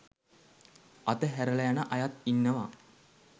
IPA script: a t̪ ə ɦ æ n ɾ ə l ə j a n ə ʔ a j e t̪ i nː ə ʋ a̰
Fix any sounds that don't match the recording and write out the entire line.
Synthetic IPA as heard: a t̪ ə ɦ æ ɾ ə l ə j a n ə ʔ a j a t̪ i nː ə ʋ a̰